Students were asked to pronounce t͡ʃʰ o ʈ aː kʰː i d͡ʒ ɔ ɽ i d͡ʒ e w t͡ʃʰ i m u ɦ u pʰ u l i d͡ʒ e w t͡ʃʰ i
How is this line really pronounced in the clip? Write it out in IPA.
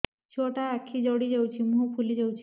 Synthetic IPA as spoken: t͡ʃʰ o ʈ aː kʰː i d͡ʒ ɔ ɽ i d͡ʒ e w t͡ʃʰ i m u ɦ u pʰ u l i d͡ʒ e w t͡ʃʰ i